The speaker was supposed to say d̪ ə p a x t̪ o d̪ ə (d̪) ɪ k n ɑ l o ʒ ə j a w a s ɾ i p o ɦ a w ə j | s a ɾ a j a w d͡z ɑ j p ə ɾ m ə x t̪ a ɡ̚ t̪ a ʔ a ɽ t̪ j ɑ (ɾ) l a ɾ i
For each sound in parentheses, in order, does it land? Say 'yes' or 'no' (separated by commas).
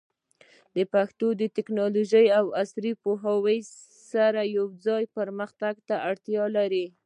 no, no